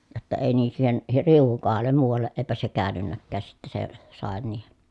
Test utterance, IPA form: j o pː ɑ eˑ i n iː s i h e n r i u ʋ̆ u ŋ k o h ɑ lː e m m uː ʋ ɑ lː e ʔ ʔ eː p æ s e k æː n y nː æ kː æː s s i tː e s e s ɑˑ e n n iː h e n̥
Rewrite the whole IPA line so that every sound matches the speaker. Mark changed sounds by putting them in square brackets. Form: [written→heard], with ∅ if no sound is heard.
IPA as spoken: j o [pː→tː] ɑ eˑ i n iː s [i→iː] h e n r i u ʋ̆ u ŋ k o h ɑ lː e m m uː ʋ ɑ lː e ʔ ʔ eː p æ s e k æː n y nː æ kː æː s s i tː e s e s ɑˑ e n n iː h e n̥